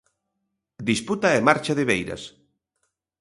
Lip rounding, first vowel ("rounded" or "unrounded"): unrounded